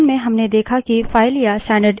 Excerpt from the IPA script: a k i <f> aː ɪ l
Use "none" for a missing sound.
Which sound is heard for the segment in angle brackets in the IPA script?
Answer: f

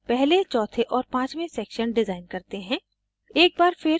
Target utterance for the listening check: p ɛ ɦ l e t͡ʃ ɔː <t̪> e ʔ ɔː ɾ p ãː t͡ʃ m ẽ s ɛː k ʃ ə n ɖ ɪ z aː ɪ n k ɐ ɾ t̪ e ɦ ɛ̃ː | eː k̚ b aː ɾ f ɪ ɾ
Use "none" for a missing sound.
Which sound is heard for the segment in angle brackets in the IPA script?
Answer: t̪ʰ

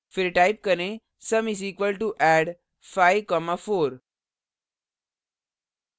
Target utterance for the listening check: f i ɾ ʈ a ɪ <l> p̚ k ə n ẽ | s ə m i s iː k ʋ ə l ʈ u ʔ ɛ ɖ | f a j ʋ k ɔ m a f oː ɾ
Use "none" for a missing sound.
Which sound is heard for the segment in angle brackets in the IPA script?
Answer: none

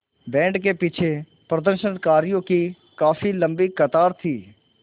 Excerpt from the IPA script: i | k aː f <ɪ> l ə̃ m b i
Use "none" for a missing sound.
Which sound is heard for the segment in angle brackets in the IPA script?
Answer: i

